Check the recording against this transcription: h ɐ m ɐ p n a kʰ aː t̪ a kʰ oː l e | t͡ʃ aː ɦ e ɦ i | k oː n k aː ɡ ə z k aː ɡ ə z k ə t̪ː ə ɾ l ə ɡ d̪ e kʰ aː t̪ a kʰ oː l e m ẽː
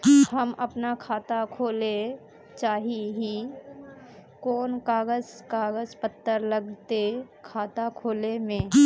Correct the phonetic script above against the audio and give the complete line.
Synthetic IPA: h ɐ m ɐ p n a kʰ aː t̪ a kʰ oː l e | t͡ʃ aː ɦ i ɦ i | k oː n k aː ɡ ə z k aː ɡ ə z p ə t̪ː ə ɾ l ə ɡ t̪ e kʰ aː t̪ a kʰ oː l e m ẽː